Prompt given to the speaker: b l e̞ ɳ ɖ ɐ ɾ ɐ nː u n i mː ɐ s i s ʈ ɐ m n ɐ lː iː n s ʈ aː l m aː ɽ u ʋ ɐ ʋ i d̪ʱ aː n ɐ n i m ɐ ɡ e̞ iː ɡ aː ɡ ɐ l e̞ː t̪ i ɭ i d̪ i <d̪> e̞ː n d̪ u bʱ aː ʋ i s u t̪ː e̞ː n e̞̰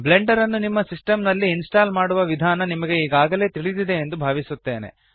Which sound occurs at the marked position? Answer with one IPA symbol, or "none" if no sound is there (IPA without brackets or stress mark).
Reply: d̪